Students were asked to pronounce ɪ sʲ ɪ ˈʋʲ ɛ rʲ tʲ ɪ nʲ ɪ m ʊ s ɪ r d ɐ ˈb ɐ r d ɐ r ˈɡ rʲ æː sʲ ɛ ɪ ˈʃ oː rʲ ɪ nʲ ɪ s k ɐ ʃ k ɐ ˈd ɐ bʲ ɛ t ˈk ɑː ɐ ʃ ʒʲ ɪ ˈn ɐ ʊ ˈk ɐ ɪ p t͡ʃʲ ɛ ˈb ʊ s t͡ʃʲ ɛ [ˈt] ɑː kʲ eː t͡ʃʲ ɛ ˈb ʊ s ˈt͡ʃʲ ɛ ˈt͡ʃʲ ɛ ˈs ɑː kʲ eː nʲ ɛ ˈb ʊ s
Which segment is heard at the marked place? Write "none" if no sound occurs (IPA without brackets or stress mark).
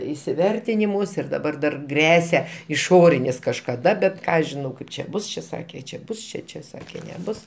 s